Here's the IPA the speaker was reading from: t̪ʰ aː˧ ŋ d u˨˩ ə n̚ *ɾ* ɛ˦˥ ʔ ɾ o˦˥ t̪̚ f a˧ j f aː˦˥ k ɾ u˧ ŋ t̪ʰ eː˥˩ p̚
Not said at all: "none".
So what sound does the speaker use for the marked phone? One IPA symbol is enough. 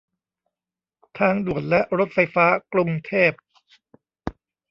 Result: l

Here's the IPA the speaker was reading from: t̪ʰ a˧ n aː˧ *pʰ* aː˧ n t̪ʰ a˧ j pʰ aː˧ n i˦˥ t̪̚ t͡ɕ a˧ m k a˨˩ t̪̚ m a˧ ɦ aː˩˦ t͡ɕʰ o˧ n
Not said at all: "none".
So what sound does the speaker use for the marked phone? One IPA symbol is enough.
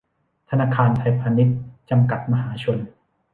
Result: kʰ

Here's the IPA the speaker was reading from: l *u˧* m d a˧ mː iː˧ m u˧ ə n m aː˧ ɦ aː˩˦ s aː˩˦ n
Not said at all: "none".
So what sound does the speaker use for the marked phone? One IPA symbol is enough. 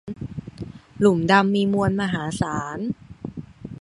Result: u˨˩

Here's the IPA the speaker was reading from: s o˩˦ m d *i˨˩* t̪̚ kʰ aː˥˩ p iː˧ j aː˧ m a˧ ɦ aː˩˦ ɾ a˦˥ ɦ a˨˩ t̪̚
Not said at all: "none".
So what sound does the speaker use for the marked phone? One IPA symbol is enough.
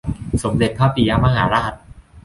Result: e˨˩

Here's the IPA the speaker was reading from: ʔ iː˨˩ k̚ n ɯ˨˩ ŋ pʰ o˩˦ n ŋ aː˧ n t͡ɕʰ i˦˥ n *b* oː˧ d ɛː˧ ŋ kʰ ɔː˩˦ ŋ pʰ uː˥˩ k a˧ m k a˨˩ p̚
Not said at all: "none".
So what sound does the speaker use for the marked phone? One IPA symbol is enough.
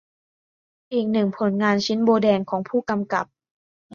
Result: b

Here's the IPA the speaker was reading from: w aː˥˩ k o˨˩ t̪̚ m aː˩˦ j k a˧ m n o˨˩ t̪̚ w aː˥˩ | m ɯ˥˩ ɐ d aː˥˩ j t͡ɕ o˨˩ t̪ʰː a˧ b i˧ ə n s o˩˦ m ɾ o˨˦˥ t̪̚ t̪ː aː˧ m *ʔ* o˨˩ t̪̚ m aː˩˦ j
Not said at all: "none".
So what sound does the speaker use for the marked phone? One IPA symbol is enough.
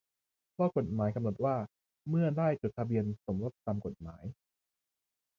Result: k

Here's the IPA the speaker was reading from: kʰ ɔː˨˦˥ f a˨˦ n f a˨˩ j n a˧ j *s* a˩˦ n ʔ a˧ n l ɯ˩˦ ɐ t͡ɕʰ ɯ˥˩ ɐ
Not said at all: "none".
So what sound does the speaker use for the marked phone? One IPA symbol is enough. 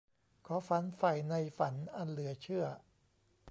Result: f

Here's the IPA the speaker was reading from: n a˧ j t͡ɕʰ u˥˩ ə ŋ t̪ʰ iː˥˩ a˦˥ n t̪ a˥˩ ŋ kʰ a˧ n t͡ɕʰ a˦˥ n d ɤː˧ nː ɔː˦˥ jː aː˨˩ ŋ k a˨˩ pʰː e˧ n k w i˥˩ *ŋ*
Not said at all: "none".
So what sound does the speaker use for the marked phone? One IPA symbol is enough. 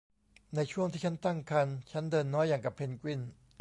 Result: n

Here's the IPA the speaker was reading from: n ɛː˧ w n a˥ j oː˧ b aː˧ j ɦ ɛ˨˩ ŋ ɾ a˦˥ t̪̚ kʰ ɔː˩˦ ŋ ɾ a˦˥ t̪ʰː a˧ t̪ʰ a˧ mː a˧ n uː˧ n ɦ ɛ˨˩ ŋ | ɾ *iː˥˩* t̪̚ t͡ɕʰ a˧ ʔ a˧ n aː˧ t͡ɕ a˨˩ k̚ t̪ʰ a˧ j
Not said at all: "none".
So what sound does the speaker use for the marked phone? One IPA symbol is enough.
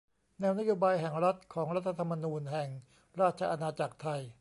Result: aː˥˩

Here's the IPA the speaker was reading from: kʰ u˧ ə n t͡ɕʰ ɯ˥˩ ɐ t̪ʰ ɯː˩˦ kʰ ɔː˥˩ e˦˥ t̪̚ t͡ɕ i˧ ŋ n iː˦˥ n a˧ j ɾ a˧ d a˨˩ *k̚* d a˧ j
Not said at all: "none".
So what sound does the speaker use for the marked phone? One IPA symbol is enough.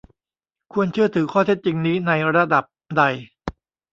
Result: p̚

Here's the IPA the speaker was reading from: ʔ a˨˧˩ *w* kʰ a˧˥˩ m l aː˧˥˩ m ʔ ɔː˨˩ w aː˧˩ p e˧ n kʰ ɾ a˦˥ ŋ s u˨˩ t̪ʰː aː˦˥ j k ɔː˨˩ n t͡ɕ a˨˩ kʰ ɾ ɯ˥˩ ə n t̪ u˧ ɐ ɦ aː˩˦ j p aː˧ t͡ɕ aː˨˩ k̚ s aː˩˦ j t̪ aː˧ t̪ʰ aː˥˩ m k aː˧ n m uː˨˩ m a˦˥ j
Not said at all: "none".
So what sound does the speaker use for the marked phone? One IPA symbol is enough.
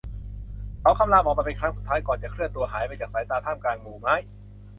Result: w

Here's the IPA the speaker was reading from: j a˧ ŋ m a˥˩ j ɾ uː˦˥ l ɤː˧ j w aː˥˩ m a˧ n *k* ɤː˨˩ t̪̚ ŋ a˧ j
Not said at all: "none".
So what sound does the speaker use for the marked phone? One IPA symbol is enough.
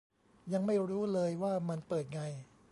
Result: p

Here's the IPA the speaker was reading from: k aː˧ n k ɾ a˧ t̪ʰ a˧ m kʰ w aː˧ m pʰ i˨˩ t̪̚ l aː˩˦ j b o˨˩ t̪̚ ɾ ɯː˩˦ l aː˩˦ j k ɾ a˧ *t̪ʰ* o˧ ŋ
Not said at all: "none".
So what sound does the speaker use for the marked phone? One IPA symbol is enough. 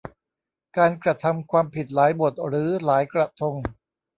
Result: t̪ʰ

